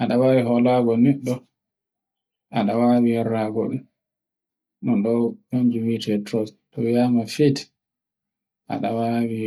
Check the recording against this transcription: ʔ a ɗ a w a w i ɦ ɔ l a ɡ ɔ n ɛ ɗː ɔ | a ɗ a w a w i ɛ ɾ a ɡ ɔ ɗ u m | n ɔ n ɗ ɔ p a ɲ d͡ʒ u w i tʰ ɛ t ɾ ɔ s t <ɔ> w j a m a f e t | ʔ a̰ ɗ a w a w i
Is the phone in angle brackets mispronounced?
no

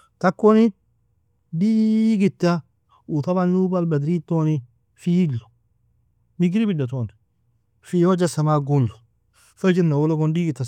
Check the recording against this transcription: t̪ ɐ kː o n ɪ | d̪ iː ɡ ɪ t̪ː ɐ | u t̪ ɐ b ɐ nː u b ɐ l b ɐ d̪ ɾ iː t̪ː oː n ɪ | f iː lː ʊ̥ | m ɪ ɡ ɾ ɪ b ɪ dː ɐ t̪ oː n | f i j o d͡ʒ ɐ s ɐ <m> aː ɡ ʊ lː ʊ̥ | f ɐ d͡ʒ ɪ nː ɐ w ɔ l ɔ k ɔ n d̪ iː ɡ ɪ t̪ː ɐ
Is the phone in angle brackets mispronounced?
no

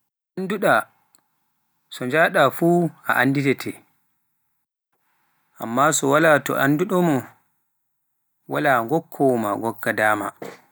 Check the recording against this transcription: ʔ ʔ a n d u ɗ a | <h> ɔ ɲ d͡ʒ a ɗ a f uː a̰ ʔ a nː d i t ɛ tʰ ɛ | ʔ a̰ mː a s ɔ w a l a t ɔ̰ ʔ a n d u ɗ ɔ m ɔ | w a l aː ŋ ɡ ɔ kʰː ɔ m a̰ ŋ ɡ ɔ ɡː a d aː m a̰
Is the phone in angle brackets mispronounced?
yes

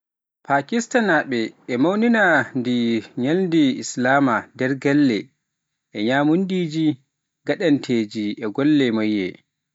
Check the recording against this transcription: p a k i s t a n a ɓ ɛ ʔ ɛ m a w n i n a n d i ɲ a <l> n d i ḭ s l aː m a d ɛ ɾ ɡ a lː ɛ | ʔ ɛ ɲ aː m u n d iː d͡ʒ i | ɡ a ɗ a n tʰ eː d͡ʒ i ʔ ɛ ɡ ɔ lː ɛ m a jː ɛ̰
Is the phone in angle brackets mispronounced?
no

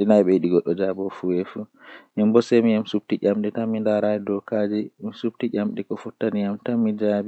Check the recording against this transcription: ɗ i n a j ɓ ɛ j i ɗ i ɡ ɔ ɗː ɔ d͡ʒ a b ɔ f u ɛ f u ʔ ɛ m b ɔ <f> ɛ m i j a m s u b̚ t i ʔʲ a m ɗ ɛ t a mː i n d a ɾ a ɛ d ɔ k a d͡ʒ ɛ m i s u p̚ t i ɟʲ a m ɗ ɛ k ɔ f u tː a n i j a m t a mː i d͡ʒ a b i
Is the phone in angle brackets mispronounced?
yes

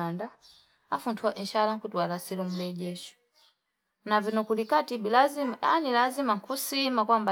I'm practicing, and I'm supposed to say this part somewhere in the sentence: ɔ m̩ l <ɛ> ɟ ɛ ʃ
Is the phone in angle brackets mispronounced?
no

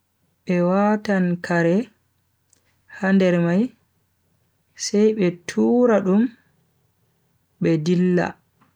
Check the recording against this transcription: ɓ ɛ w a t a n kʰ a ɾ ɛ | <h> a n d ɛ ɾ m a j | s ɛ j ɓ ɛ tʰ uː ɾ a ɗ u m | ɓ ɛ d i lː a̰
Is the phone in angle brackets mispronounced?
no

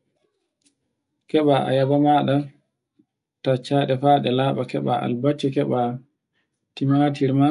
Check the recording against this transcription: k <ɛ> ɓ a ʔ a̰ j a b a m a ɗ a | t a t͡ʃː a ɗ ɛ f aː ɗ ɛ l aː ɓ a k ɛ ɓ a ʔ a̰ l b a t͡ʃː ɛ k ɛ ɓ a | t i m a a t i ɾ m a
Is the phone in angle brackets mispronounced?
no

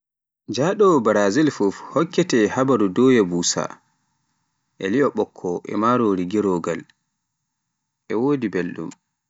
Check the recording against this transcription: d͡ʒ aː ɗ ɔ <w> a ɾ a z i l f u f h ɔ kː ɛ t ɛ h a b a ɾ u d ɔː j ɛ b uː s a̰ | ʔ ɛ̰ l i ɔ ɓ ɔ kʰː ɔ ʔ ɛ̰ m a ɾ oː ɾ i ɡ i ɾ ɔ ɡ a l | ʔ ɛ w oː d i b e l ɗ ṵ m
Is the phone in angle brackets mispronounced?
yes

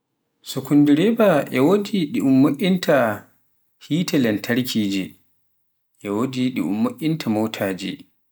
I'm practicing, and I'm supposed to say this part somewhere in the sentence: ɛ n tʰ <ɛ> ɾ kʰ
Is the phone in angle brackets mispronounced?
yes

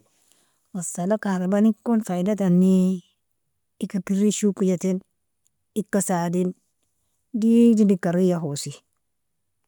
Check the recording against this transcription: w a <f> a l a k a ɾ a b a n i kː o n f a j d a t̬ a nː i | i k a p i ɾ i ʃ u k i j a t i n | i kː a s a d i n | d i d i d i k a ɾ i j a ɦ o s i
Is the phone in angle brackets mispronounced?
yes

